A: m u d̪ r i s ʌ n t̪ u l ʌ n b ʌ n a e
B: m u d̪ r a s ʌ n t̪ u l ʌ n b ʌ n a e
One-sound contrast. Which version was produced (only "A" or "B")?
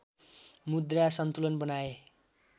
B